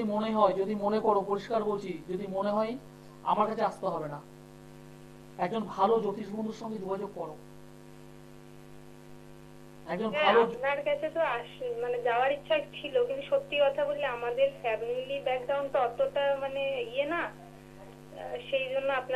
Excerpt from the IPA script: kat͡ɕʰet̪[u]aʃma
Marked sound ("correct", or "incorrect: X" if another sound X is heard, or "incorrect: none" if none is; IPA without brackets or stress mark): incorrect: o